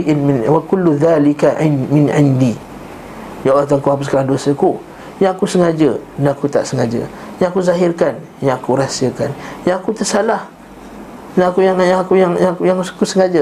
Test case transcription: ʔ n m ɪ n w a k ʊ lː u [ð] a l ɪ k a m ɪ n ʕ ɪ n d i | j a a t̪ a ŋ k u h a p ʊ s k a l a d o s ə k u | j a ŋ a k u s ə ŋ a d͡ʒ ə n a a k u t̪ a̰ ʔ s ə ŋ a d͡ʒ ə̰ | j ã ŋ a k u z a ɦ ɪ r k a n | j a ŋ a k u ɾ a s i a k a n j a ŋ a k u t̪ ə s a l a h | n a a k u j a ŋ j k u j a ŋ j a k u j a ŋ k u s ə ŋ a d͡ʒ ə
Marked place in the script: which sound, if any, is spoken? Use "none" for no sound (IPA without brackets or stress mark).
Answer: ð